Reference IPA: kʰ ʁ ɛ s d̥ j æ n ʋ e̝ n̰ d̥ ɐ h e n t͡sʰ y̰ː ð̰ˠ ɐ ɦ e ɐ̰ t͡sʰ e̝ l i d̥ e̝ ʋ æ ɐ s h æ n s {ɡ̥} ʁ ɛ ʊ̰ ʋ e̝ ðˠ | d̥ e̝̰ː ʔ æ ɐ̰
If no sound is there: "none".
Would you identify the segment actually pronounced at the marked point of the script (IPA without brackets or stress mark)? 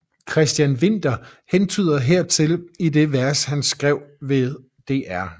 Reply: ɡ̥